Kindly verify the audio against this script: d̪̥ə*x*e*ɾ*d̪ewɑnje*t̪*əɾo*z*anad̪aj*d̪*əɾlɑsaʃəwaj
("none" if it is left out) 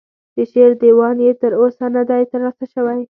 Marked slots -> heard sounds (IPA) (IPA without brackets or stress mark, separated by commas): ʃ, ɾ, t̪, s, t̪